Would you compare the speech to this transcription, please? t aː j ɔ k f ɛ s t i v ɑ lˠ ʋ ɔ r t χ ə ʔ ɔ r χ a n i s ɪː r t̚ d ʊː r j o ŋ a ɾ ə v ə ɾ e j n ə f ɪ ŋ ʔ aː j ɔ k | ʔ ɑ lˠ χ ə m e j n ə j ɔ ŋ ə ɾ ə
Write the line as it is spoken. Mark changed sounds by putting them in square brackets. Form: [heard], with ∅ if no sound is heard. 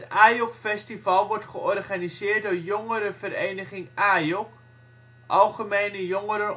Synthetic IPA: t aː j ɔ k f ɛ s t i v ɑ lˠ ʋ ɔ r t χ ə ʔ ɔ r χ a n i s ɪː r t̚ d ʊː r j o ŋ [ə] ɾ ə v ə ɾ e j n ə [χ] ɪ ŋ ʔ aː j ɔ k | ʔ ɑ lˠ χ ə m e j n ə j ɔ ŋ ə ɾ ə

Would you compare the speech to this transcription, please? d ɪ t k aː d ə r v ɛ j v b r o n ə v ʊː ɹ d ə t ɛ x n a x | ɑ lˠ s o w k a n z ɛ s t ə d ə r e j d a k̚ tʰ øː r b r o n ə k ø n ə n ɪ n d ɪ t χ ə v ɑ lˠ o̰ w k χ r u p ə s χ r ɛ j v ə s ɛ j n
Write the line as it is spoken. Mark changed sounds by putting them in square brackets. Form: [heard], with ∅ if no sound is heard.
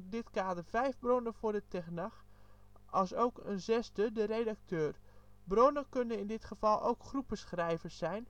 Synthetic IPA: d ɪ t k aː d ə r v ɛ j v b r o n ə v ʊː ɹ d ə t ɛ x n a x | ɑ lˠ s o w k [ə] n z ɛ s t ə d ə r e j d a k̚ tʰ øː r b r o n ə k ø n ə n ɪ n d ɪ t χ ə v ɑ lˠ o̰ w k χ r u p ə s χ r ɛ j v ə s ɛ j n

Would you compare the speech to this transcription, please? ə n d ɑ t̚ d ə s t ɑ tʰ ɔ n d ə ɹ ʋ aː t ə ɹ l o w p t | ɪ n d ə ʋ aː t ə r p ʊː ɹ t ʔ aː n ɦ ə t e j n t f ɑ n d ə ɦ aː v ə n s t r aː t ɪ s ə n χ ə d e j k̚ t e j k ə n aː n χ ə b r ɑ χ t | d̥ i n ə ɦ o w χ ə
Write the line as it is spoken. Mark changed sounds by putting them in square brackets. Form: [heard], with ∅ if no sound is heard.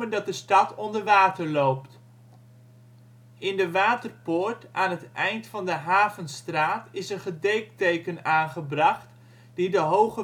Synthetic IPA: ə n d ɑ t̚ d ə s t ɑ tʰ ɔ n d ə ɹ ʋ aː t ə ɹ l o w p t | ɪ n d ə ʋ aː t ə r p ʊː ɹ t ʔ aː n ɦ ə t [ɛ] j n t f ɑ n d ə ɦ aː v ə n s t r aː t ɪ s ə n χ ə d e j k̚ t e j k ə n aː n χ ə b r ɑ χ t | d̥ i [d] ə ɦ o w χ ə

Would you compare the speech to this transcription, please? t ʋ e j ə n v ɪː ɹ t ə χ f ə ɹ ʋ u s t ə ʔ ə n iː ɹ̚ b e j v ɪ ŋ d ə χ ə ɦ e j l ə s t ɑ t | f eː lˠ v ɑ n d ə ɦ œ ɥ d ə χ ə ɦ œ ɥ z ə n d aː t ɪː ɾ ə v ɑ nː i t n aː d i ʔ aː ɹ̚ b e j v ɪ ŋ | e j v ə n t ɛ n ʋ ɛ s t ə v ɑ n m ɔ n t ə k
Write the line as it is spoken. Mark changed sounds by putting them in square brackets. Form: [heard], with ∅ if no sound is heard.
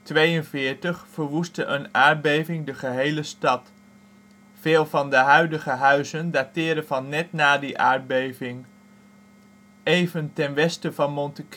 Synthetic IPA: t ʋ e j ə n v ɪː ɹ t ə χ f ə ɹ ʋ u s t ə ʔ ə n [aː] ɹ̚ b e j v ɪ ŋ d ə χ ə ɦ e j l ə s t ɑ t | f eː lˠ v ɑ n d ə ɦ œ ɥ d ə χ ə ɦ œ ɥ z ə n d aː t ɪː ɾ ə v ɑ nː [ɛ] t n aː d i ʔ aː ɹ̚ b e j v ɪ ŋ | e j v ə n t ɛ n ʋ ɛ s t ə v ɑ n m ɔ n t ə k

